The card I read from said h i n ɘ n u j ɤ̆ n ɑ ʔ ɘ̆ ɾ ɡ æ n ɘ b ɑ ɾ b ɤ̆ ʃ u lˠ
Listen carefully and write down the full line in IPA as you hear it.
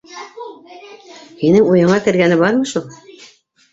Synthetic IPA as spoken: h i n ɘ ŋ u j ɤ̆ ɴ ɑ k ɘ̆ ɾ ɡ æ n ɘ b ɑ ɾ m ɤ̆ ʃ u lˠ